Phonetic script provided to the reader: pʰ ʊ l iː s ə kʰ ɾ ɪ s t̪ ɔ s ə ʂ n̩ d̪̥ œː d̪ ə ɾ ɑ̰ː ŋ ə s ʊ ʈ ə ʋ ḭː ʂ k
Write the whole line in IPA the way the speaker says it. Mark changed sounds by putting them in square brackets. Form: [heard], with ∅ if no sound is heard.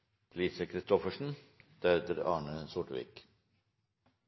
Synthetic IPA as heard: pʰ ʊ l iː s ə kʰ ɾ ɪ s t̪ ɔ [f] ə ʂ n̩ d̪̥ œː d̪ ə ɾ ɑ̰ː [ɳ] ə s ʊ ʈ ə ʋ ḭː [∅] k